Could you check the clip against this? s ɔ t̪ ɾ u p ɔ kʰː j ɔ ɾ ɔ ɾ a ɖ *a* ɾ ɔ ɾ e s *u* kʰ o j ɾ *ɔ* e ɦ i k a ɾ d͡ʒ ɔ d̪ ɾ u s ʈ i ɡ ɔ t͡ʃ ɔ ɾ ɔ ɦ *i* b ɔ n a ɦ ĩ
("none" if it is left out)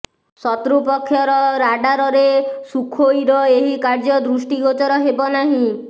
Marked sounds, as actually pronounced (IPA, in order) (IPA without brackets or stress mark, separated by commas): a, u, ɔ, e